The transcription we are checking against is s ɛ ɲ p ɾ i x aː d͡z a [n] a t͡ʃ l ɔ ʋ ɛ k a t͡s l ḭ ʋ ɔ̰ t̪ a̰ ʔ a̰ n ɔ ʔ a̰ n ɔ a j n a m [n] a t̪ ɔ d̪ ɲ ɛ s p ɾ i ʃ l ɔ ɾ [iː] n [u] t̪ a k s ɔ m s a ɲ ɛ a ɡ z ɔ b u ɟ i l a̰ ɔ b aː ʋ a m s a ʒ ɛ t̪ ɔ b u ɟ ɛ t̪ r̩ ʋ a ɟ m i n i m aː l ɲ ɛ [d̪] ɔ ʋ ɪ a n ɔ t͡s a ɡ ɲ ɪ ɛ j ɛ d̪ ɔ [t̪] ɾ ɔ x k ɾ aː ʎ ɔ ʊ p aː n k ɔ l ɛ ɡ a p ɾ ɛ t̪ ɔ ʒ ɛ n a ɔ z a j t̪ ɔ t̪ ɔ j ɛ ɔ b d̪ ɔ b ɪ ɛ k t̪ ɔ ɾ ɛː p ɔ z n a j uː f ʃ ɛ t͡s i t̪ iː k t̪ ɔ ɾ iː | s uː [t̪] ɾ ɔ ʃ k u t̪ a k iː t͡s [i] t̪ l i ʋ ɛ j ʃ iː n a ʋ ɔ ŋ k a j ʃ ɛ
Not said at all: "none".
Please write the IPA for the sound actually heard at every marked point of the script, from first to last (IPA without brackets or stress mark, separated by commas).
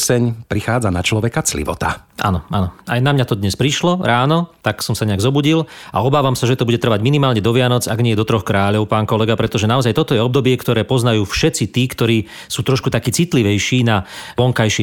n, ɲ, aː, ɔ, d̪, t̪, t̪, i